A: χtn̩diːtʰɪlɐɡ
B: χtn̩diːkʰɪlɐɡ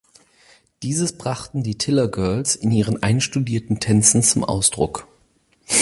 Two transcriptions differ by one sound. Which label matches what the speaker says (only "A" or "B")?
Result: A